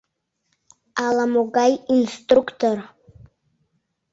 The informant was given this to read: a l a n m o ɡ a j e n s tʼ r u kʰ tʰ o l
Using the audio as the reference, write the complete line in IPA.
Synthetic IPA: a l a m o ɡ a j i n s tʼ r u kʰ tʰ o r

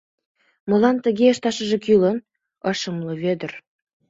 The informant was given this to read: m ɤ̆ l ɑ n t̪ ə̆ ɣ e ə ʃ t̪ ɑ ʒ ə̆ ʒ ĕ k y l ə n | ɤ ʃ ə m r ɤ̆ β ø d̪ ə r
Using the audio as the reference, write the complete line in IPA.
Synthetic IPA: m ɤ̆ l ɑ n t̪ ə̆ ɣ e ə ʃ t̪ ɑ ʃ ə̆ ʒ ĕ k y l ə n | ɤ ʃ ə m l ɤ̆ β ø d̪ ə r

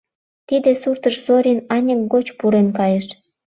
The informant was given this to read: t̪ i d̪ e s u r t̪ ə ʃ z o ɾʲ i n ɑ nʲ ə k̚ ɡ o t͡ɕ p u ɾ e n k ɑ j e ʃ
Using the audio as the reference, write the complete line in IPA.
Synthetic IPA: t̪ i d̪ e s u r t̪ ə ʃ z o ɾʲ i n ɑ nʲ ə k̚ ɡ o t͡ɕ p u ɾ e n k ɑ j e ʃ

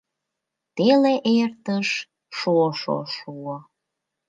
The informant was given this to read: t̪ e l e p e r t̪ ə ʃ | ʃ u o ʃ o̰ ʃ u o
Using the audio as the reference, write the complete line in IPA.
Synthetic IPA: t̪ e l e ʔ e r t̪ ə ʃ | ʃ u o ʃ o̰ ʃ u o

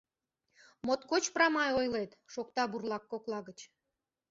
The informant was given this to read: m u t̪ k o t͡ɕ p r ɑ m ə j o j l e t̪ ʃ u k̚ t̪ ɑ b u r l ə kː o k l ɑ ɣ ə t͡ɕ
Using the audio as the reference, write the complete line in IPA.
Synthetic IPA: m o t̪ k o t͡ɕ p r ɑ m ɑ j o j l e t̪ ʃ o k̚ t̪ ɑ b u r l ɑ kː o k l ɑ ɣ ə t͡ɕ

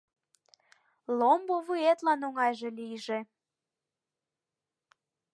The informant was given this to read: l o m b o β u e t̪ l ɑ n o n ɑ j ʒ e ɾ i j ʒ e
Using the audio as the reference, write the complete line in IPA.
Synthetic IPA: l o m b o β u e t̪ l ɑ n o ŋ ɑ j ʒ e l i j ʒ e

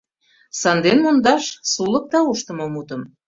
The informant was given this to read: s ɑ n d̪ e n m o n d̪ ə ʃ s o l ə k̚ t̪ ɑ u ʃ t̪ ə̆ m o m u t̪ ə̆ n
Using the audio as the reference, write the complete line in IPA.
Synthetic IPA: s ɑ n d̪ e n m o n d̪ ɑ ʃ s u l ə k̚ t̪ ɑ u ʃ t̪ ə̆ m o m u t̪ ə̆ m

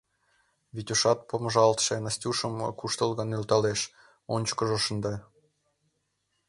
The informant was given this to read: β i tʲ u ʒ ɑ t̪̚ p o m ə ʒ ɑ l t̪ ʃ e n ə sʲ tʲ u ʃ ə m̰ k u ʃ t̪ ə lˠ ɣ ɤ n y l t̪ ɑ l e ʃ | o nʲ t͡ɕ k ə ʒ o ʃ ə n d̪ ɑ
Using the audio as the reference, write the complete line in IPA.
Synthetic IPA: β i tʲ u ʃ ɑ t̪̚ p o m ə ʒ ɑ l t̪ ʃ e n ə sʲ tʲ u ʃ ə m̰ k u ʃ t̪ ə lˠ ɣ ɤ n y l t̪ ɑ l e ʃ | o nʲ t͡ɕ k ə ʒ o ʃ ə n d̪ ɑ

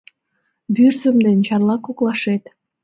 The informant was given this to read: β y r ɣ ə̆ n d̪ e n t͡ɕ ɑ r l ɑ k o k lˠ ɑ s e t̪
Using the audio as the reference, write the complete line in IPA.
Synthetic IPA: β y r z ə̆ m d̪ e n t͡ɕ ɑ r l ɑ k o k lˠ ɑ ʃ e t̪

